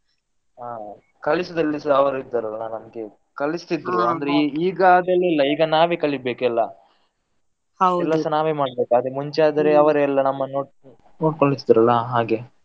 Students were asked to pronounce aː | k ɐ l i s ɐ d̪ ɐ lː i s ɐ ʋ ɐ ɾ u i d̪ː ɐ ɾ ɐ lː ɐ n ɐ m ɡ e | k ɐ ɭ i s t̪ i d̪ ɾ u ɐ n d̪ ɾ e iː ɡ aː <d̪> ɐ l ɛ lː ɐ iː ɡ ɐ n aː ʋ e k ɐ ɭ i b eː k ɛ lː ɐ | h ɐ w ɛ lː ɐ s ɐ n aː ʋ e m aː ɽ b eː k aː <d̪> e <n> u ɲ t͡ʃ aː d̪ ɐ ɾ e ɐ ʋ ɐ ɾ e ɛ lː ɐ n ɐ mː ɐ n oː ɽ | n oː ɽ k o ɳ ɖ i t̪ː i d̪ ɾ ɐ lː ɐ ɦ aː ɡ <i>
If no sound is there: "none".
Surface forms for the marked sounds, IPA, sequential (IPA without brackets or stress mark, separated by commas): d̪, d̪, m, e